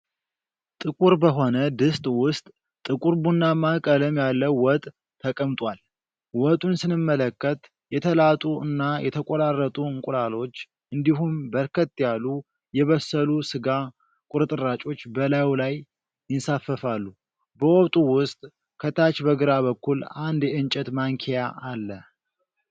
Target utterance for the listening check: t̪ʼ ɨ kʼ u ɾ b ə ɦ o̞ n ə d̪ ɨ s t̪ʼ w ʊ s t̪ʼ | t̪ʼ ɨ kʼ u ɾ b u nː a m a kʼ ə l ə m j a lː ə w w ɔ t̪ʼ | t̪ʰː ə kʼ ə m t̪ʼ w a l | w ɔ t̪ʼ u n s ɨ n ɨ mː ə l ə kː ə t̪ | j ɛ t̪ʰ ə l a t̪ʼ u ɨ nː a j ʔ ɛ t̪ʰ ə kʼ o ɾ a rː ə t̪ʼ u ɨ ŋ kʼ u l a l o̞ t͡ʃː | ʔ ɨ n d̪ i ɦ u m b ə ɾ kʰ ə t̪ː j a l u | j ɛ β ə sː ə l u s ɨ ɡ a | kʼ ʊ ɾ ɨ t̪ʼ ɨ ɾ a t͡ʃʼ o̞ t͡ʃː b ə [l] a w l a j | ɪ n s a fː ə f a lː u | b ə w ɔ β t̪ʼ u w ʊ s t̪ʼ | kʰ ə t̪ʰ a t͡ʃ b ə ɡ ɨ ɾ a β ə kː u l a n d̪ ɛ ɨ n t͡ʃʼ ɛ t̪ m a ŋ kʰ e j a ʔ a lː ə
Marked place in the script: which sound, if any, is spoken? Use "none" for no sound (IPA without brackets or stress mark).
l